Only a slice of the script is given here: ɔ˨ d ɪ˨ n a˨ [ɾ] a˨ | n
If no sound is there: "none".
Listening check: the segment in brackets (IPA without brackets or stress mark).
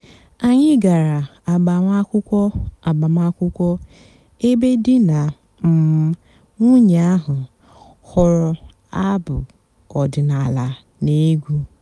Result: l